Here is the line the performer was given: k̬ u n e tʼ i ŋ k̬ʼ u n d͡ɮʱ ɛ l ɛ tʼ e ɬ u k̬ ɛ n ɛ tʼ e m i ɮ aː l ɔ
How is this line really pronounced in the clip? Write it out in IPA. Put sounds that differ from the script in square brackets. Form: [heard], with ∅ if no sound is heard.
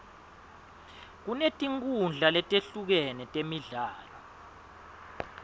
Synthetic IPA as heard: k̬ u n e tʼ i ŋ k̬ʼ u n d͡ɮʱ [a] l ɛ tʼ e ɬ u k̬ ɛ n ɛ tʼ e m i ɮ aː l ɔ